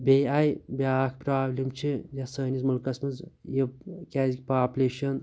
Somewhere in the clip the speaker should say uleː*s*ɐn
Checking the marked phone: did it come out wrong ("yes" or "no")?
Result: yes